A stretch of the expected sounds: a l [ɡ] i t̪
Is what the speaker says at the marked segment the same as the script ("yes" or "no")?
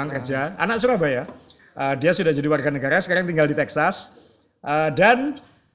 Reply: no